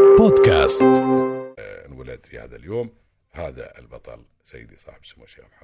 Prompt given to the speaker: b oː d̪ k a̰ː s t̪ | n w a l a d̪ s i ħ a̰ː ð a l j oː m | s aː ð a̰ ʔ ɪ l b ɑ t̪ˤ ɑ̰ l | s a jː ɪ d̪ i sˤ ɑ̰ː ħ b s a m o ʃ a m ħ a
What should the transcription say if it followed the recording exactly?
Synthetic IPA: b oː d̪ k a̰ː s t̪ | n w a l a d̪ f i h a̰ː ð a l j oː m | h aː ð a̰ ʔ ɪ l b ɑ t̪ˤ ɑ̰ l | s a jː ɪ d̪ i sˤ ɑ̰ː ħ b s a m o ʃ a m ħ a